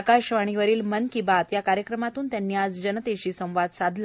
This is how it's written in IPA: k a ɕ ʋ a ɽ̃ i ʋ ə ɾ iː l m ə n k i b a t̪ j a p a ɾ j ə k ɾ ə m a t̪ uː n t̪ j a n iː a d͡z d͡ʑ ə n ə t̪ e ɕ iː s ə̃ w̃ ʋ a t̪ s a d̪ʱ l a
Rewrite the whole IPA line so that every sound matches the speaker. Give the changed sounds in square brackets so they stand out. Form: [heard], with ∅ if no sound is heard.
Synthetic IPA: k a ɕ ʋ a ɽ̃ i ʋ ə ɾ iː l m ə n k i b a t̪ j a [k] a ɾ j ə k ɾ ə m a t̪ uː n t̪ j a [nː] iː a d͡z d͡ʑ ə n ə t̪ e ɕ iː s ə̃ w̃ ʋ a [d̪] s a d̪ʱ l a